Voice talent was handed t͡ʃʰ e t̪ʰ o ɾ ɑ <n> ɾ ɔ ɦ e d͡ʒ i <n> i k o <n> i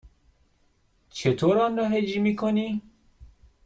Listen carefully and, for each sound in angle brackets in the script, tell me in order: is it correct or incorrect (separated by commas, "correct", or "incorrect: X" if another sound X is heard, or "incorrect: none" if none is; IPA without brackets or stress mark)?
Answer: correct, incorrect: m, correct